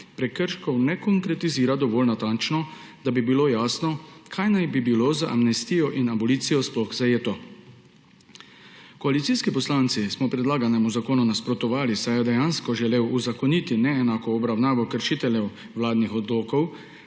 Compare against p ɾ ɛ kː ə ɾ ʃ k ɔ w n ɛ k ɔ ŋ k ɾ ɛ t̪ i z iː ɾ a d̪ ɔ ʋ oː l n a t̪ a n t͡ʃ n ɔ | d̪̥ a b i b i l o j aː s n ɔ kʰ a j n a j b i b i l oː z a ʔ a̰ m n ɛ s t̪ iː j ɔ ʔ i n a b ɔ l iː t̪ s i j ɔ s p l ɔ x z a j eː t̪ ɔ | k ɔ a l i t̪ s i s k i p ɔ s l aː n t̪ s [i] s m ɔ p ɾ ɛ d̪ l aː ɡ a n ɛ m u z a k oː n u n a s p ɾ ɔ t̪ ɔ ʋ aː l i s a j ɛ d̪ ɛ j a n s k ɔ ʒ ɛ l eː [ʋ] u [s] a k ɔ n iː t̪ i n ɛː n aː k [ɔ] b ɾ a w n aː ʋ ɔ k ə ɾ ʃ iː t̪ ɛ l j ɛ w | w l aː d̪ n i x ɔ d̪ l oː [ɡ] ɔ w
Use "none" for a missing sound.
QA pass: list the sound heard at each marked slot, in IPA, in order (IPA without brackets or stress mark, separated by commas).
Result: i, w, z, ɔː, k